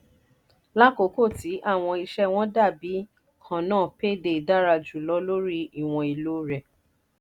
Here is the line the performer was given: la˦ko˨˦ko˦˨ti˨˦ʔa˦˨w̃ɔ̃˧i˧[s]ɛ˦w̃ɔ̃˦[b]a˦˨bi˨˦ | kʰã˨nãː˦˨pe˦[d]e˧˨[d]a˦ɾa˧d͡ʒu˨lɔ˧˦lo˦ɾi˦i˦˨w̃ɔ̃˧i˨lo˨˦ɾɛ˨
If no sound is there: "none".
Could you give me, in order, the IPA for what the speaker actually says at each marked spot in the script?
ʃ, d, d, d

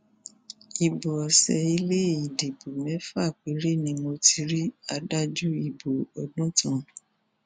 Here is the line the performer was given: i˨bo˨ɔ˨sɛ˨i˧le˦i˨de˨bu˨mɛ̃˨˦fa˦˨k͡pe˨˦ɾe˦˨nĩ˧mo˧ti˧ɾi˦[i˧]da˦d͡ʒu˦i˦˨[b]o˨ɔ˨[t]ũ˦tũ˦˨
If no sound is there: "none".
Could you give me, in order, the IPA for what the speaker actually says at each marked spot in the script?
a˧, b, d

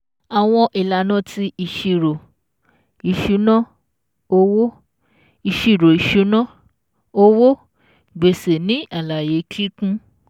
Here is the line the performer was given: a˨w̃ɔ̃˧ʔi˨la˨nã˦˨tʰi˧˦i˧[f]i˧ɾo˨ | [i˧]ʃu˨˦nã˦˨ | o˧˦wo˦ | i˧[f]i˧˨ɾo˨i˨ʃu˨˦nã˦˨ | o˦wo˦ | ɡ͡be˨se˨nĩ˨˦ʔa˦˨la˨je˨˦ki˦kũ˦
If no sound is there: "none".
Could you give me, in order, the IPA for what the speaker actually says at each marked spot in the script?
ʃ, i˧, ʃ

